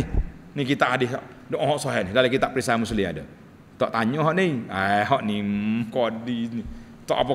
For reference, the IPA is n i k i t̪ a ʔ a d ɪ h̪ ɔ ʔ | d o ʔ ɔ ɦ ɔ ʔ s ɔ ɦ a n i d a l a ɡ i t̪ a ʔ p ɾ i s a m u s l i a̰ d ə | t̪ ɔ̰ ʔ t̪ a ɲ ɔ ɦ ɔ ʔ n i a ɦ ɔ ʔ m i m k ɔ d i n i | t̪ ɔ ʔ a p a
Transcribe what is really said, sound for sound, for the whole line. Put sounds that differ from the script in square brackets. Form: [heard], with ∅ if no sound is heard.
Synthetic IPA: n i k i t̪ a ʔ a d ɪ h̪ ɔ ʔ | d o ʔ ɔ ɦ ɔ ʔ s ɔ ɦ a n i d a l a [k] i t̪ a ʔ p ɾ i s a m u s l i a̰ d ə | t̪ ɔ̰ ʔ t̪ a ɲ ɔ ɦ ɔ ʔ n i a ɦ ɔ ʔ [n] i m k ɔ d i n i | t̪ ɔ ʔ a p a